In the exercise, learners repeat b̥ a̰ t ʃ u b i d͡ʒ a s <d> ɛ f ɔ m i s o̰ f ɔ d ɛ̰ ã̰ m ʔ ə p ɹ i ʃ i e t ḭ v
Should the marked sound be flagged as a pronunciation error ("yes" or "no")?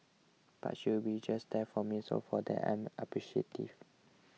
no